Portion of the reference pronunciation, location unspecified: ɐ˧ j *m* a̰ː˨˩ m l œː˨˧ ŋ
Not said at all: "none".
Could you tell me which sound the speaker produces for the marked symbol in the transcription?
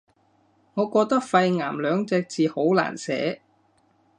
ŋ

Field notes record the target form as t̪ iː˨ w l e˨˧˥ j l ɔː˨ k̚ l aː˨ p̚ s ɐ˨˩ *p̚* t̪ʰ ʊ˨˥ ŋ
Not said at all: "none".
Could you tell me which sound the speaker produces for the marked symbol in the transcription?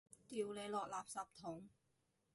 p̚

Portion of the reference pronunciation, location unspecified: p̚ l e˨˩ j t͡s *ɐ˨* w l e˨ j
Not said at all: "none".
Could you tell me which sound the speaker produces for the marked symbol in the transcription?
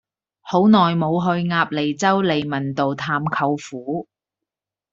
ɐ˥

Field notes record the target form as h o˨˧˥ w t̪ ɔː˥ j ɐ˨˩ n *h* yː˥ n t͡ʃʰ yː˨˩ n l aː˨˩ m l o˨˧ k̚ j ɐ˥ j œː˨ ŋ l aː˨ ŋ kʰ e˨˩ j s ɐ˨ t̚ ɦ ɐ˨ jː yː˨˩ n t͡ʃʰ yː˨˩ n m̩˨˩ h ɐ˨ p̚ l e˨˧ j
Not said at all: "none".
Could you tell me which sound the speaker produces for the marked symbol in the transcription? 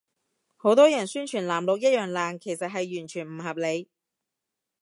s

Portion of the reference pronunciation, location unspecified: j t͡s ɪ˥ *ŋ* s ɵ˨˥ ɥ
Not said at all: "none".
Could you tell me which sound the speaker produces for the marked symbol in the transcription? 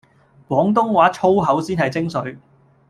ŋ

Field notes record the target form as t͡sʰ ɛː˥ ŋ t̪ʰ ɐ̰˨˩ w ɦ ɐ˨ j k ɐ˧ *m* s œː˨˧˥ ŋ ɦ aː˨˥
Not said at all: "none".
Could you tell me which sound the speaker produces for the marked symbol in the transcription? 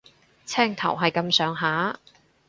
m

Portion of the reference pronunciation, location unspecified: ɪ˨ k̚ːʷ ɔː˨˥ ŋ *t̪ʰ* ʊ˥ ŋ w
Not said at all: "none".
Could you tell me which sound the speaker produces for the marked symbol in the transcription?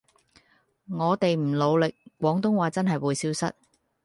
t̪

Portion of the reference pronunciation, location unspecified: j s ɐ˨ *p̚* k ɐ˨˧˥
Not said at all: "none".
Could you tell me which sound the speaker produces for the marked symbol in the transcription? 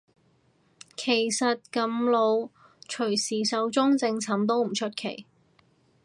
t̚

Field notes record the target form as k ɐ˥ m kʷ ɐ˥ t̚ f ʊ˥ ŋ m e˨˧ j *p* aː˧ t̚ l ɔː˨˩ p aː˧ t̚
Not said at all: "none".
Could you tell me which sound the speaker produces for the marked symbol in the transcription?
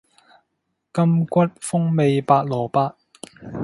p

